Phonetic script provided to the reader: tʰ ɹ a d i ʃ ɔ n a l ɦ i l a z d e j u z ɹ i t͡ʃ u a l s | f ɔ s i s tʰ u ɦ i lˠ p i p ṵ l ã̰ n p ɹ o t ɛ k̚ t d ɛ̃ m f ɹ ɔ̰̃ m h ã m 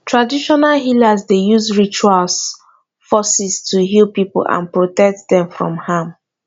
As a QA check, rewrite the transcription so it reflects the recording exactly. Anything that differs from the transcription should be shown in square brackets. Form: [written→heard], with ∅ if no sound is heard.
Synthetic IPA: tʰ ɹ a d i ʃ ɔ n a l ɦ i l a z d e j u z ɹ i t͡ʃ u a l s | f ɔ s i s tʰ u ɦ i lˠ p i p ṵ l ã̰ n p ɹ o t ɛ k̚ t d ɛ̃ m f ɹ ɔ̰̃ m h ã m

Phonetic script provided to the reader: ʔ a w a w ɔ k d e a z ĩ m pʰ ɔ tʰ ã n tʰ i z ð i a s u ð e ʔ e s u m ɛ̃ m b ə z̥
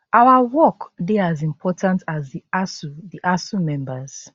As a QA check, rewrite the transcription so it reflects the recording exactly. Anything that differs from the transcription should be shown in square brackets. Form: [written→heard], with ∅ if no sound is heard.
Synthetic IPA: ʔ a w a w ɔ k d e a z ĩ m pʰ ɔ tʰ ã n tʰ [i→a] z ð i a s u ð [e→i] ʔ [e→a] s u m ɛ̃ m b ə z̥

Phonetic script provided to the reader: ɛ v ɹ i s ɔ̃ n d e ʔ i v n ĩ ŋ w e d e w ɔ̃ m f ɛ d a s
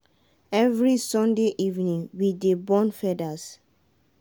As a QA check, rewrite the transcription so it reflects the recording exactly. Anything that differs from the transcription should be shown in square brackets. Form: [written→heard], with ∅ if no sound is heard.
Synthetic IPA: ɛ v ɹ i s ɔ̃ n d e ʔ i v n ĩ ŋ w [e→i] d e [w→b] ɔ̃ [m→n] f ɛ d a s

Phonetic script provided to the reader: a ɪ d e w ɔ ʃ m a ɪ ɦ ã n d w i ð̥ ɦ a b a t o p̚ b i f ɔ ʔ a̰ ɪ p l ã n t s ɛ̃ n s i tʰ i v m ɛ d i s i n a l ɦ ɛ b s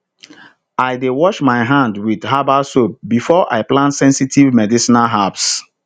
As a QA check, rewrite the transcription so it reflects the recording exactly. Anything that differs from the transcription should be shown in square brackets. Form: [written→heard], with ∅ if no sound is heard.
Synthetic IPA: a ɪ d e w ɔ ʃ m a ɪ ɦ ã n d w i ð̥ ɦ a b a [t→s] o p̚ b i f ɔ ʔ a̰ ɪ p l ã n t s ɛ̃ n s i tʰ i v m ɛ d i s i n a l ɦ [ɛ→a] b s

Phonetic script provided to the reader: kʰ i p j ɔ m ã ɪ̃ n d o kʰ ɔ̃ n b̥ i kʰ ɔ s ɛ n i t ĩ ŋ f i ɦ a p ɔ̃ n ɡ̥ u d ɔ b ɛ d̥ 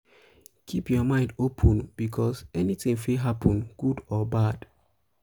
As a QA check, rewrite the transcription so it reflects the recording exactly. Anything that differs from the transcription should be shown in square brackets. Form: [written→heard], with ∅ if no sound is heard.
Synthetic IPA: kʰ i p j ɔ m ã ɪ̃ n d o [kʰ→pʰ] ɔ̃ n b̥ i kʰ ɔ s ɛ n i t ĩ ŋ f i ɦ a p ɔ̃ n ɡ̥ u d ɔ b [ɛ→a] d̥

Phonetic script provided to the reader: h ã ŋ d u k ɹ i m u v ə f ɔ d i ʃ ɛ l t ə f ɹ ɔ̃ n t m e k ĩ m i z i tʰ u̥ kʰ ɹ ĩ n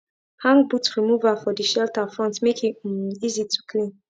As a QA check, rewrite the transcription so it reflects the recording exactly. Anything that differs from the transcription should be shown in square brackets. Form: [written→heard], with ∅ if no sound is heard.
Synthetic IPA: h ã ŋ [d→b] u [k→t] ɹ i m u v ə f ɔ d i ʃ ɛ l t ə f ɹ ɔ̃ n t m e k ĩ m i z i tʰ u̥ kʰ [ɹ→l] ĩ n

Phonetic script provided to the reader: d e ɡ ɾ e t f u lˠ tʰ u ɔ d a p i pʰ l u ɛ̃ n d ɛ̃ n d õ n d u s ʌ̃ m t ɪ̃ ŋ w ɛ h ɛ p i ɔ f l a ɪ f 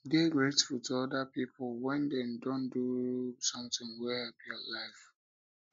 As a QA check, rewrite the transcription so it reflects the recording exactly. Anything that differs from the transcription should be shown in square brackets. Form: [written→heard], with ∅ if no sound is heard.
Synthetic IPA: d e ɡ [ɾ→ɹ] e t f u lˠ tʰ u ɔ d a p i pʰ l [u→w] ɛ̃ n d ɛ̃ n d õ n d u s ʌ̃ m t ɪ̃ ŋ w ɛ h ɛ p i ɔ [f→∅] l a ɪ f

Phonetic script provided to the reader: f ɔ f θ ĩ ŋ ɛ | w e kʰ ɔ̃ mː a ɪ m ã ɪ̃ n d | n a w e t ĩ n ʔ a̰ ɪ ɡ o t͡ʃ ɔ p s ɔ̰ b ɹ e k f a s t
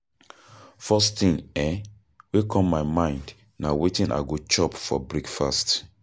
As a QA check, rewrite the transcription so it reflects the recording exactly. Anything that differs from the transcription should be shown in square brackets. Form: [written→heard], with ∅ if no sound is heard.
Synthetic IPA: f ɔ [f→s] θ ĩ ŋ ɛ | w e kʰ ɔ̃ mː a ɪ m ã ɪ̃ n d | n a w e t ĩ n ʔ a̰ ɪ ɡ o t͡ʃ ɔ p [s→f] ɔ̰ b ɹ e k f a s t

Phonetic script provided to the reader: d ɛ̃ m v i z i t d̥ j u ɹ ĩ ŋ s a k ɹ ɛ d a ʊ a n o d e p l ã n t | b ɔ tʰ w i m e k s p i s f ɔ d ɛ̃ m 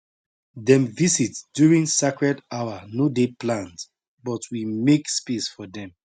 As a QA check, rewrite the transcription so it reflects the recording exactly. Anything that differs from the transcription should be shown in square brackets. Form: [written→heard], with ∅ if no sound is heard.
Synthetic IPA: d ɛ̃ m v i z i t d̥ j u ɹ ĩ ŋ s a k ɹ ɛ d a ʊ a n o d e p l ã n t | b ɔ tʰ w i m e k s p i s f ɔ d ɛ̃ m

